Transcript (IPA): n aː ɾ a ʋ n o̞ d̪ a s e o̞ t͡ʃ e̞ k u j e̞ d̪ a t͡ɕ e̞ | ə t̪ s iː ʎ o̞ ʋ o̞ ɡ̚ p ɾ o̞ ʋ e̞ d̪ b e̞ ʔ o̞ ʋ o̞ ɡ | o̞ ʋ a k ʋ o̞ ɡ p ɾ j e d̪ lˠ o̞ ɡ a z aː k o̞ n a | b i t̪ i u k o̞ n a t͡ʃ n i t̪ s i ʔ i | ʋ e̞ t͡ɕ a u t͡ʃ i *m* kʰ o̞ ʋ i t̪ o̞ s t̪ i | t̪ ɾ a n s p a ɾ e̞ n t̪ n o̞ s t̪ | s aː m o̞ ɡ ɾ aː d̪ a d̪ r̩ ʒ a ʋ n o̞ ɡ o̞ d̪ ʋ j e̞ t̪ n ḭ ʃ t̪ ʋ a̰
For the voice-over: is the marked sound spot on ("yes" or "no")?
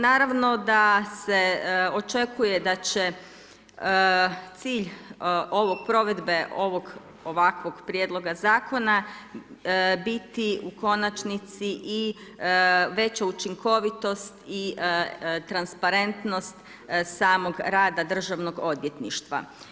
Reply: no